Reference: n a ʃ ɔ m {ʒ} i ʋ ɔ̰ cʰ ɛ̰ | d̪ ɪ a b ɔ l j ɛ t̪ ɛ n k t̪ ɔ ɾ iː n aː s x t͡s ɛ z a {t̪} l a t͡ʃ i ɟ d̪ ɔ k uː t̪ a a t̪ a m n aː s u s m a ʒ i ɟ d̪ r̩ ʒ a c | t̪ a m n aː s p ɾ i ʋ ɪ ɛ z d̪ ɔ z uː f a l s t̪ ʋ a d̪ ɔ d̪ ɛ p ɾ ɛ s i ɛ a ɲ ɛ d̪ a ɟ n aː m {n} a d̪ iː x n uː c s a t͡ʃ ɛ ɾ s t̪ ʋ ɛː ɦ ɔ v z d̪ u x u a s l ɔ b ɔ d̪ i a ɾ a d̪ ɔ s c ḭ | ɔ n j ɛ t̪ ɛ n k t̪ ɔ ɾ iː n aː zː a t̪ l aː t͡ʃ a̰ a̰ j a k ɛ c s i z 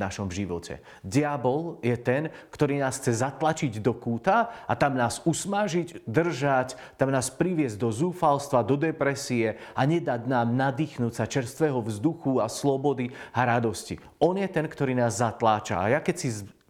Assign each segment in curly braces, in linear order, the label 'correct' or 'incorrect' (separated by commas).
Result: correct, correct, correct